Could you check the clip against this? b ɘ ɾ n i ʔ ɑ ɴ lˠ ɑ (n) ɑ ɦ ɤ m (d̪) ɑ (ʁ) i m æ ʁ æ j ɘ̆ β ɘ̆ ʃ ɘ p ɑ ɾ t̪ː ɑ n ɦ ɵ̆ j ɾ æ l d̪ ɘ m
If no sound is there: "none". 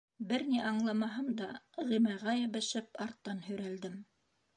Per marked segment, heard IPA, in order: m, d̪, ʁ

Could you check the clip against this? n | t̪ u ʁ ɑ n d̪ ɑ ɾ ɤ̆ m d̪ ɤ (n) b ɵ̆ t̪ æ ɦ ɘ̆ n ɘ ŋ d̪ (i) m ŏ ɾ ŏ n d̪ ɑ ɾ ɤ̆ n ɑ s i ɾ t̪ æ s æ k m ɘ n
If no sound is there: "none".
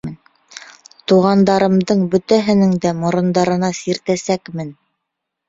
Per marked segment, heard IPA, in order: ɴ, æ

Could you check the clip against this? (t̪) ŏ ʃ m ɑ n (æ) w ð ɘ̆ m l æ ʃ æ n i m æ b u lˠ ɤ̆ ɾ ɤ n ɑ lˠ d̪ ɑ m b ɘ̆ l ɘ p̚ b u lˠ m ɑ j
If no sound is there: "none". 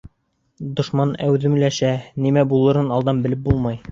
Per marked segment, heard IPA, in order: d̪, æ

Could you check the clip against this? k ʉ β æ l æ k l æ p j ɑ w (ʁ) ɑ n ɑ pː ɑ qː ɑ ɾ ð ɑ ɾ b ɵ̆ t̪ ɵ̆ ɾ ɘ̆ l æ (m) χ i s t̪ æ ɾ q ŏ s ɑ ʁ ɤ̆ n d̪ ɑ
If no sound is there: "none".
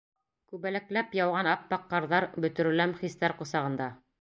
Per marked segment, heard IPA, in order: ʁ, m

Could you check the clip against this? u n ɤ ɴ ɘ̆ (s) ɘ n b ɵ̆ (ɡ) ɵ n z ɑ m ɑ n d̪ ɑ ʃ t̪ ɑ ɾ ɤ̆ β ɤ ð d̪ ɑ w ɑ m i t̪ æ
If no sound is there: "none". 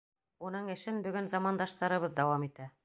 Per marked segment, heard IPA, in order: ʃ, ɡ

